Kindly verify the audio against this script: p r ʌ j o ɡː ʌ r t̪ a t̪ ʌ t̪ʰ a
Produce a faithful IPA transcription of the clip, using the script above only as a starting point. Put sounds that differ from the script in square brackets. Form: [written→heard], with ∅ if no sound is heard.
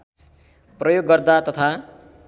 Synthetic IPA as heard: p r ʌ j o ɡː ʌ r [t̪→d̪] a t̪ ʌ t̪ʰ a